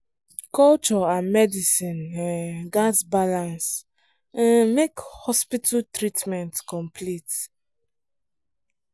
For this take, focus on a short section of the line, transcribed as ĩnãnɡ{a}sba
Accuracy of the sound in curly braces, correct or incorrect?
correct